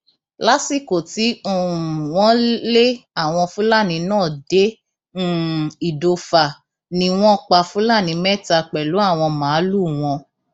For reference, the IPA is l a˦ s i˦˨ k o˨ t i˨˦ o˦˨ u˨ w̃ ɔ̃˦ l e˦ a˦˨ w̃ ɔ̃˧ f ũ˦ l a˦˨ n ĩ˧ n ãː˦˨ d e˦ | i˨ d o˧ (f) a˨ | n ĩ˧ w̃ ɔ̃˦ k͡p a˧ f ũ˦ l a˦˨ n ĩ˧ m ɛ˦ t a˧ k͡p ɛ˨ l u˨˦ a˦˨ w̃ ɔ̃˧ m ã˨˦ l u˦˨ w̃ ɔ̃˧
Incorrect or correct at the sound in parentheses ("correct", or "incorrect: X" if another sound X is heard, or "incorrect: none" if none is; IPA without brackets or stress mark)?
correct